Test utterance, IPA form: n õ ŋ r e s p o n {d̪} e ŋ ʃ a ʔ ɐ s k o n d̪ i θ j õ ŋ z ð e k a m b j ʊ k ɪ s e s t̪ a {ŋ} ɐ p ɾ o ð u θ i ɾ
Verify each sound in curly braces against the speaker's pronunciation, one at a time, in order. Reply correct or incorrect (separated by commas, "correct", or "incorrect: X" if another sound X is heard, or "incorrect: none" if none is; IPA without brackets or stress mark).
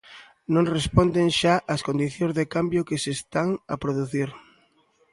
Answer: correct, correct